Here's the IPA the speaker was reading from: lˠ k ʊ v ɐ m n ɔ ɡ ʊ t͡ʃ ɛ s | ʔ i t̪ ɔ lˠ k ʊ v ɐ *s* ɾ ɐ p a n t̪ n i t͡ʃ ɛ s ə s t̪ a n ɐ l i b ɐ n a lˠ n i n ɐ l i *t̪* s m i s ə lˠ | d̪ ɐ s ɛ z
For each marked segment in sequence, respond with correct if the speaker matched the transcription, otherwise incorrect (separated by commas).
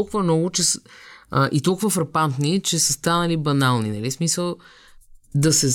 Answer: incorrect, incorrect